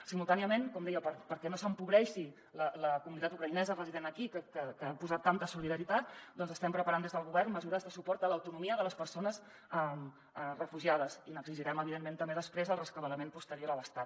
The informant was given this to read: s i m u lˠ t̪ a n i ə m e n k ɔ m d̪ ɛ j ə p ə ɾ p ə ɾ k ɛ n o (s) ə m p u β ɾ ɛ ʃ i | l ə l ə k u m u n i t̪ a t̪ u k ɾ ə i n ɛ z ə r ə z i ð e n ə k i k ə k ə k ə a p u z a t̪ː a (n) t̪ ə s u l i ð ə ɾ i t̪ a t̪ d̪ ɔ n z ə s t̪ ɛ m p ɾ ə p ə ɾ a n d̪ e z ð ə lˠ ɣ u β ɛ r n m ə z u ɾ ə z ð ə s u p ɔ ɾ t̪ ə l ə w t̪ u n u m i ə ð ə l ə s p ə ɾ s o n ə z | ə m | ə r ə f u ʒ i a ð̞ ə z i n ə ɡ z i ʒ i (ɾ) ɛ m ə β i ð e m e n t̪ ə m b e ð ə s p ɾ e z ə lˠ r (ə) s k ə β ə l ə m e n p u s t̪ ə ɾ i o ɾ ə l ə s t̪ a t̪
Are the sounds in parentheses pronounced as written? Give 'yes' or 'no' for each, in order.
yes, yes, yes, yes

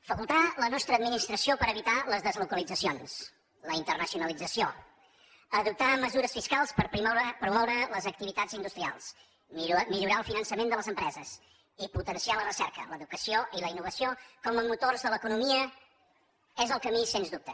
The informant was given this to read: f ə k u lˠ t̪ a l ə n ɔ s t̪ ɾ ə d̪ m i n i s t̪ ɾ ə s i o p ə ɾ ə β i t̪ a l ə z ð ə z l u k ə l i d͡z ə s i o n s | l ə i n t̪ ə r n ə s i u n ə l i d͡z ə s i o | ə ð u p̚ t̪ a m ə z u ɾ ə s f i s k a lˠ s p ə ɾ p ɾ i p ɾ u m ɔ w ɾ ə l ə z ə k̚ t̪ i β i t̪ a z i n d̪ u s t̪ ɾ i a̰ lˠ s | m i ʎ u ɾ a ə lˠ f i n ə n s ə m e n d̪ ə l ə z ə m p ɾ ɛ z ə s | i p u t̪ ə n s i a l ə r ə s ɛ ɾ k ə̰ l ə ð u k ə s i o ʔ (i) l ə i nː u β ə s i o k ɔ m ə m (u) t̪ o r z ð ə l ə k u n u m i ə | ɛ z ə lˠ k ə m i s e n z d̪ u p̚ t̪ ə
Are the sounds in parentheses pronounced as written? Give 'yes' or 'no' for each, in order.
yes, yes

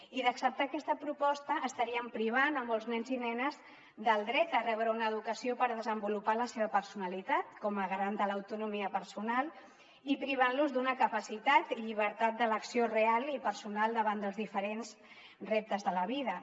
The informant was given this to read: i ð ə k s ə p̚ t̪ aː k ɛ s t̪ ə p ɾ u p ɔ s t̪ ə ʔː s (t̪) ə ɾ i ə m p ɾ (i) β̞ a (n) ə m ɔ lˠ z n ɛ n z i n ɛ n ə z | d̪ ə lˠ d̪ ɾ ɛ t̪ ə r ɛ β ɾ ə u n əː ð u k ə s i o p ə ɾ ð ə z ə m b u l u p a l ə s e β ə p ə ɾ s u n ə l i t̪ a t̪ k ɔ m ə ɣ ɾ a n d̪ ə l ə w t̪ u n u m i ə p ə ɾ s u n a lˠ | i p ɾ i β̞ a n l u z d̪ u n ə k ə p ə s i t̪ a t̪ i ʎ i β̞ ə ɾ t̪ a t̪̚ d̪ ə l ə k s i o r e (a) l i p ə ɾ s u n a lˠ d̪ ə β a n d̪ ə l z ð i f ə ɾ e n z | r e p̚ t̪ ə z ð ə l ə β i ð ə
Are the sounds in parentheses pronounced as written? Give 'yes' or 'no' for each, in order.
yes, yes, yes, yes

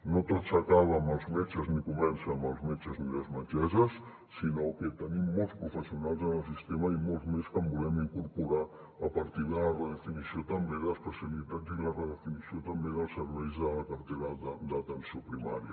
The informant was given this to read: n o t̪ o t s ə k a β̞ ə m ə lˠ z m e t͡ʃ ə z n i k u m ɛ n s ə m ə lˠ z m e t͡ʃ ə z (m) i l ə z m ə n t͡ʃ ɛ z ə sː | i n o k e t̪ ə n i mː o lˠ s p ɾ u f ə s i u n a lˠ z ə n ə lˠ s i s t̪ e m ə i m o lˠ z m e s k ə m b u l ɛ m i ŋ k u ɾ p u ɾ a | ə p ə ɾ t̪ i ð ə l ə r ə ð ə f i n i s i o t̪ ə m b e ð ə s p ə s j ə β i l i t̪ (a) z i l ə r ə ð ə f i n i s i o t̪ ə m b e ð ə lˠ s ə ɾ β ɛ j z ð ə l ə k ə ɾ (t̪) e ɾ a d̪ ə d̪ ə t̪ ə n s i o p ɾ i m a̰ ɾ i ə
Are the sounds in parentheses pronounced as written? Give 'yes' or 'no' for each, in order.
no, yes, yes

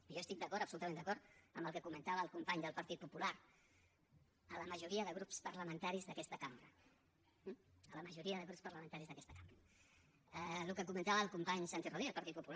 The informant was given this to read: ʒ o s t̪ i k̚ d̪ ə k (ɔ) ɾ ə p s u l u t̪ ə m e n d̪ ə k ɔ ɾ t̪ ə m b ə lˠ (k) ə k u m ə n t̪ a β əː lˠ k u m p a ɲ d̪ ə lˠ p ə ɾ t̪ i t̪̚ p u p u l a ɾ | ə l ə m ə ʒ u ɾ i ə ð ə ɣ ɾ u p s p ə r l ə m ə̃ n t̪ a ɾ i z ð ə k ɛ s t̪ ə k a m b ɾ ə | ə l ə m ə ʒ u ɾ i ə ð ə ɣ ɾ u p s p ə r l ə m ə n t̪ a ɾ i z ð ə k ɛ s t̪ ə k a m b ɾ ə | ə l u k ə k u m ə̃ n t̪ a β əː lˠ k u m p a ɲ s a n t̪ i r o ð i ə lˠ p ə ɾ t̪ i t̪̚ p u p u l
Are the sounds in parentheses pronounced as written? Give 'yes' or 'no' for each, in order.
yes, yes

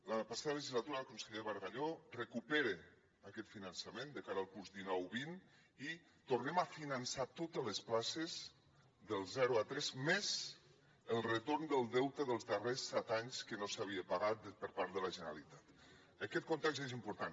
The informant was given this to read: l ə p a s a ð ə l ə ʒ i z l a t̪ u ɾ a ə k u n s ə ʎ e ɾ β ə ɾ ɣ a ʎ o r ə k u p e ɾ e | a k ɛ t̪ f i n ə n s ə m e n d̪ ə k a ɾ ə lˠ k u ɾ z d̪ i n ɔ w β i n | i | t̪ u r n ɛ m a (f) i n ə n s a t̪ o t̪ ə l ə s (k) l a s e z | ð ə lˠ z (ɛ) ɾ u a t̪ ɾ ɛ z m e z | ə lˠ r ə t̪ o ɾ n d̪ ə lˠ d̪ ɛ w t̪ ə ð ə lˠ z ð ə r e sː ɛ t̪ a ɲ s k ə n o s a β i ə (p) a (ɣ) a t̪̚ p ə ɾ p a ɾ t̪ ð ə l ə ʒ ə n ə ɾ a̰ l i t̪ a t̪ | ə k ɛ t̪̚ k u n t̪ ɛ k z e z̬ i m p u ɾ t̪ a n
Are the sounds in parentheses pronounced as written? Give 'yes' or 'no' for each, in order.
yes, no, yes, yes, yes

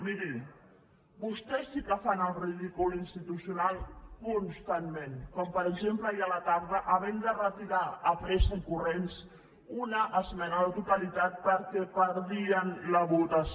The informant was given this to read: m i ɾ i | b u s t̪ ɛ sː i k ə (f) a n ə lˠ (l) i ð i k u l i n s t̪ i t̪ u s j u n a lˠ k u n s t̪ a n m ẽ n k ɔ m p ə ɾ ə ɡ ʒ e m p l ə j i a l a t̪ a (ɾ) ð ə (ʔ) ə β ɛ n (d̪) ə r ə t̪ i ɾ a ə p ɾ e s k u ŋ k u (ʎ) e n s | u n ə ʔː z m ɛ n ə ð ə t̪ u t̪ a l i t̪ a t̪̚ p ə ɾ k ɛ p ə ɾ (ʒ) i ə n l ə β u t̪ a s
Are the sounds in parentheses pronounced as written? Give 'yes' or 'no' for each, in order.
yes, no, yes, yes, yes, no, no

